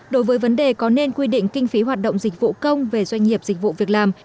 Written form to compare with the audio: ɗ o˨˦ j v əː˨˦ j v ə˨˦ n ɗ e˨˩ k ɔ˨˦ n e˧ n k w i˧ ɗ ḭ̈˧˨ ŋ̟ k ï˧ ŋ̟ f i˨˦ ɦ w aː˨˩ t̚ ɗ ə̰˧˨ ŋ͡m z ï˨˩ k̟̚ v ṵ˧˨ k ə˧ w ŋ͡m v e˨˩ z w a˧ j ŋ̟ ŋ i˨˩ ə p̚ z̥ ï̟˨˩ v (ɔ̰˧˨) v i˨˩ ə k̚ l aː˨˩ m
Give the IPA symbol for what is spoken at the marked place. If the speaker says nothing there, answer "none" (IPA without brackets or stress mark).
ṵ˧˨